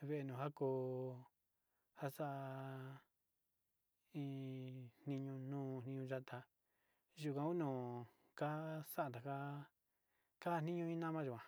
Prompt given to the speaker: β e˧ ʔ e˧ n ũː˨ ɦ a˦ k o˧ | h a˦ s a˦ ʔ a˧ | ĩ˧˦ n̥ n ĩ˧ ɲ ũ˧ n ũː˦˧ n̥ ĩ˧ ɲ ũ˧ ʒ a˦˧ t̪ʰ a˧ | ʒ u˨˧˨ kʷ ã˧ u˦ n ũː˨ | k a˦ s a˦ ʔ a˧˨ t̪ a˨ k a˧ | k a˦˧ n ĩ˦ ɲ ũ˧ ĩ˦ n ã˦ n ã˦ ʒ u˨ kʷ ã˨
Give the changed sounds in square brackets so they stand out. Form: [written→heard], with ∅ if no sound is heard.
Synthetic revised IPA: β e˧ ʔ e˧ n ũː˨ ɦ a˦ k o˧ | h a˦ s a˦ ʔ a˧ | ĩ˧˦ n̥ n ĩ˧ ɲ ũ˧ n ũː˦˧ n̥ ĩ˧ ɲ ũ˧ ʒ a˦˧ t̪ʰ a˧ | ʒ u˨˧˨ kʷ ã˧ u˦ n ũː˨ | k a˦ s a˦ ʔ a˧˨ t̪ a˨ k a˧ | k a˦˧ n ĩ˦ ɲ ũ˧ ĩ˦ n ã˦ [n→m] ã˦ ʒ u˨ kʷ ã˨